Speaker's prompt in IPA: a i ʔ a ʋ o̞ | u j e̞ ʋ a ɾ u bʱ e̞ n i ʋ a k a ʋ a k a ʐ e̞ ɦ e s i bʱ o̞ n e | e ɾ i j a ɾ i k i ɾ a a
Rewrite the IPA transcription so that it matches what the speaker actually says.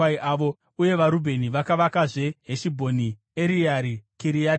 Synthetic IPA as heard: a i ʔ a ʋ o̞ | u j e̞ ʋ a ɾ u bʱ e̞ n i ʋ a k a ʋ a k a ʐ e̞ ɦ e ʃ i bʱ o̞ n i | e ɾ i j a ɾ i k i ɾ i a

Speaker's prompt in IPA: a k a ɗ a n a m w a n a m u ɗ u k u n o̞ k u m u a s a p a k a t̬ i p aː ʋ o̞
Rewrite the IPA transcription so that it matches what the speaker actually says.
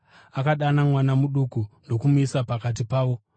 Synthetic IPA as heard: a k a ɗ a n a m w a n a m u ɗ u k u n o̞ k u m u i s a p a k a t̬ i p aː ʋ o̞

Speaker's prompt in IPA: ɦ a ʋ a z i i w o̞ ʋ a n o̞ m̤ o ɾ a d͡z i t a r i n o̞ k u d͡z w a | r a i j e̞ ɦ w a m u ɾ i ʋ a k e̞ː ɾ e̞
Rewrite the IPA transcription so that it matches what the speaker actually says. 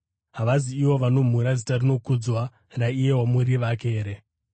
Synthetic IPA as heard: ɦ a ʋ a z i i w o̞ ʋ a n o̞ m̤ u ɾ a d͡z i t a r i n o̞ k u d͡z w a | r a i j e̞ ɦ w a m u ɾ i ʋ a k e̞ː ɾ e̞

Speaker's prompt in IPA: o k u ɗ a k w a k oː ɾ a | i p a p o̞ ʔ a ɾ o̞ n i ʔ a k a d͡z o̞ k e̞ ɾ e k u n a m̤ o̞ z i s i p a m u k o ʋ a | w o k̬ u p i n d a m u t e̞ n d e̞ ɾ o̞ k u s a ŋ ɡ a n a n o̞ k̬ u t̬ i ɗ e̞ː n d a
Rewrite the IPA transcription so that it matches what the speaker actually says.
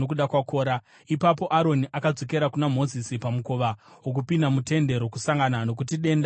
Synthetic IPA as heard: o k u ɗ a k w a k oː ɾ a | i p a p o̞ ʔ a ɾ o̞ n i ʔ a k a d͡z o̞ k e̞ ɾ a k u n a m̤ o̞ z i s i p a m u k o ʋ a | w o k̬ u p i n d a m u t e̞ n d e̞ ɾ o̞ k u s a ŋ ɡ a n a n o̞ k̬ u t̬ i ɗ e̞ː n d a

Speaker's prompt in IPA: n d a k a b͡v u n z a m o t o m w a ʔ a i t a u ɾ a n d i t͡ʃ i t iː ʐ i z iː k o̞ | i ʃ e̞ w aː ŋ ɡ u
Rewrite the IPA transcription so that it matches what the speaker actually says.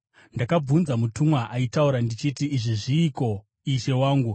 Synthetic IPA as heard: n d a k a b͡v u n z a m u t u m w a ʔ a i t a u ɾ a n d i t͡ʃ i t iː ʐ i ʐ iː k o̞ | i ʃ e̞ w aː ŋ ɡ u

